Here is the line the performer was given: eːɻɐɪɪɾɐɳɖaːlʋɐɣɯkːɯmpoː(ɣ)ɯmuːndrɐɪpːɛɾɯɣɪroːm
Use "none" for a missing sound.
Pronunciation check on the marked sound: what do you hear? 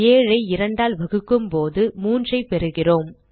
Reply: ð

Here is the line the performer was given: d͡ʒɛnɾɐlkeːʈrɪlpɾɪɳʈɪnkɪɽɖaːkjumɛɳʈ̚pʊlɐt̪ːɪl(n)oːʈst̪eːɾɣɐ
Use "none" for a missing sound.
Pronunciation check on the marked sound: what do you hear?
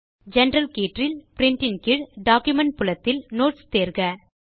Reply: n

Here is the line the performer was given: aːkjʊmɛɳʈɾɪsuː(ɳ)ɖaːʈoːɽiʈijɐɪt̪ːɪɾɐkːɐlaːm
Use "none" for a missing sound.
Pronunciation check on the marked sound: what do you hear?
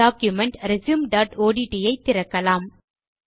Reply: m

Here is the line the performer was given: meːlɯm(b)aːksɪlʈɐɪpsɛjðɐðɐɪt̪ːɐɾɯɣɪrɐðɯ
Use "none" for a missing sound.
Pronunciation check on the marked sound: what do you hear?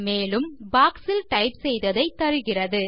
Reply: b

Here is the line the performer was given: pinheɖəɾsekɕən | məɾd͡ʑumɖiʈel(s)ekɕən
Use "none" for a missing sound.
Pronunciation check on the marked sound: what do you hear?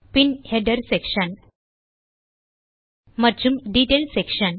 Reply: s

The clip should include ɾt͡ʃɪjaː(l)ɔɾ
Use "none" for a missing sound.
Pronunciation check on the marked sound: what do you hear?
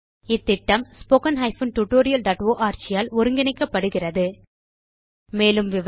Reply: l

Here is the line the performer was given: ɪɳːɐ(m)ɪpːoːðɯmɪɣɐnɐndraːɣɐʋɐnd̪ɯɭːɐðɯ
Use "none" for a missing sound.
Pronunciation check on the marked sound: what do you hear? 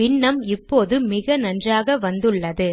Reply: m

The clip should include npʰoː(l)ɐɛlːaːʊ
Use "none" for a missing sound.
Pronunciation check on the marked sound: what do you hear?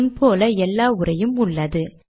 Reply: l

